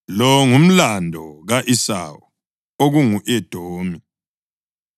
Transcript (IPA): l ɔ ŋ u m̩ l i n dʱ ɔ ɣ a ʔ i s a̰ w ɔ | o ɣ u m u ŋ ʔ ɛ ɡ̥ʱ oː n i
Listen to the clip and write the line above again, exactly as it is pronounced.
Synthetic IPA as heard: l ɔ ŋ u m̩ l a n dʱ ɔ ɣ a ʔ i s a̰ w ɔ | o ɣ u ŋ u ʔ ɛ d̥ʱ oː m i